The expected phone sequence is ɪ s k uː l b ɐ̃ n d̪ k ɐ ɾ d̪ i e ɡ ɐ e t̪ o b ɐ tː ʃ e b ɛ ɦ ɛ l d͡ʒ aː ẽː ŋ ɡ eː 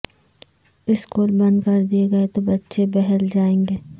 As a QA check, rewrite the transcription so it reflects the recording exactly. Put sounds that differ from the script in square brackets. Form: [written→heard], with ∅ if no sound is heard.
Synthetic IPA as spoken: ɪ s k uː l b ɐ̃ n d̪ k ɐ ɾ d̪ i e ɡ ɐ e t̪ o b ɐ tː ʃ e b ɛ ɦ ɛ l d͡ʒ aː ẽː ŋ ɡ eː